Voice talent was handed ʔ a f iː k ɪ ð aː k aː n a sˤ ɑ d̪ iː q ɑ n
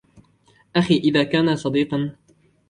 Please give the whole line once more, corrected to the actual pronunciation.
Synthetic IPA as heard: ʔ a x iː ʔ ɪ ð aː k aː n a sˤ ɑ d̪ iː q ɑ n